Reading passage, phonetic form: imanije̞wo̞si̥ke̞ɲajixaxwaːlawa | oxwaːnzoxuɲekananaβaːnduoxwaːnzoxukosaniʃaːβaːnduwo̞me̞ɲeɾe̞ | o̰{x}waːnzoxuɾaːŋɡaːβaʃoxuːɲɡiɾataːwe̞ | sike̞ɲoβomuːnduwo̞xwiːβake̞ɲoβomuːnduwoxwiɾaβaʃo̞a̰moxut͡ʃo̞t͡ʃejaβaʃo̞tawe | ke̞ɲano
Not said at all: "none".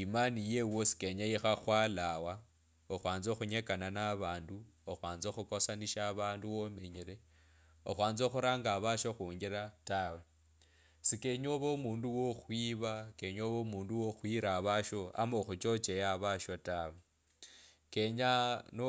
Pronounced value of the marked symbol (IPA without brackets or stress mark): x